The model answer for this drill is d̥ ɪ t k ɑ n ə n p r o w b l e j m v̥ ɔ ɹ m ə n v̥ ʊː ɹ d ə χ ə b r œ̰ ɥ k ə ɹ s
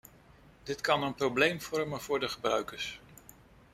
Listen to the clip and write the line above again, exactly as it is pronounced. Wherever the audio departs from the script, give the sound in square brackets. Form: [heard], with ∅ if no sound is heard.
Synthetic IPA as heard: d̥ ɪ t k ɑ n ə n p r o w b l e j m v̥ ɔ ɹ m ə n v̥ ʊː ɹ d ə χ ə b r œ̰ ɥ k ə ɹ s